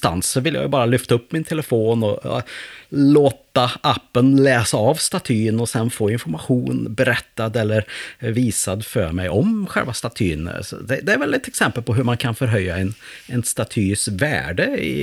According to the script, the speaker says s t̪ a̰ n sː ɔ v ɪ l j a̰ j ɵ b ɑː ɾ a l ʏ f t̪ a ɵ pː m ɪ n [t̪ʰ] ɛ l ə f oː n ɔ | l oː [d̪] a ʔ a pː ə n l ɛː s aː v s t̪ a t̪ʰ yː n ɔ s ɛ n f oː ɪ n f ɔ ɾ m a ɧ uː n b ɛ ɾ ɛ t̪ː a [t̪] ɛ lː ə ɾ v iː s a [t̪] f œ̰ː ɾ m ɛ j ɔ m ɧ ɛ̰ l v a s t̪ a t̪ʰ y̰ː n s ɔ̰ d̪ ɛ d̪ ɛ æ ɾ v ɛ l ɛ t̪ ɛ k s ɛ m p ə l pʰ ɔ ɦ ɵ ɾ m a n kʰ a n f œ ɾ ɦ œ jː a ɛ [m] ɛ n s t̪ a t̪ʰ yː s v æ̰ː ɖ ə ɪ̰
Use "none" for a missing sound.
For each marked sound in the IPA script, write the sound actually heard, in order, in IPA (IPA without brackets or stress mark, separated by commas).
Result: t̪ʰ, t̪, d̪, d̪, n